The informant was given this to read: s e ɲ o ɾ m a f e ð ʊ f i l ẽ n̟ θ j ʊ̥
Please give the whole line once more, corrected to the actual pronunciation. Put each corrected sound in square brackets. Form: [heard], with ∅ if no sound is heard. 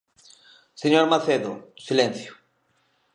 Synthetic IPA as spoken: s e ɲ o ɾ m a [θ] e ð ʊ [s] i l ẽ n̟ θ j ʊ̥